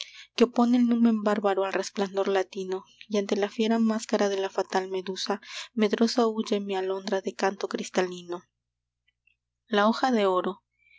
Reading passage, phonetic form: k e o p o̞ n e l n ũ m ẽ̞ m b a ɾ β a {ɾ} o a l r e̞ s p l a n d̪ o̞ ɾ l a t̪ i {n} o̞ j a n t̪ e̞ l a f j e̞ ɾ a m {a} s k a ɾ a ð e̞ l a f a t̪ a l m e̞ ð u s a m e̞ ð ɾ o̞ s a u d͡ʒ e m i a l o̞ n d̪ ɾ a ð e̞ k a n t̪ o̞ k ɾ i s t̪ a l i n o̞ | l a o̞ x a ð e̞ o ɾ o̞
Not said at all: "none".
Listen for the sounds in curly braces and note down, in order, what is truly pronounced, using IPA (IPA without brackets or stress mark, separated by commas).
ɾ, n, a